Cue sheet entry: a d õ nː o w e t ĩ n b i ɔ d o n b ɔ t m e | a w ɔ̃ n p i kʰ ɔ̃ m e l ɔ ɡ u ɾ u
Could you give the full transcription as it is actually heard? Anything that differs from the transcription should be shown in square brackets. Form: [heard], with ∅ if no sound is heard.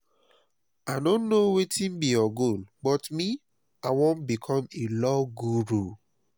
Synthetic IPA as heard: a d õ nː o w e t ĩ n b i ɔ [ɡ] o n b ɔ t m [i] | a w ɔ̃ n [b] i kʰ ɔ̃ m e l ɔ ɡ u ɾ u